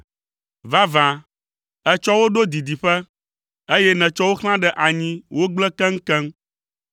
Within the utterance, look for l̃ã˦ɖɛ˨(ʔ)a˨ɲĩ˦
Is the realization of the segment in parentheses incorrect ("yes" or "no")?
no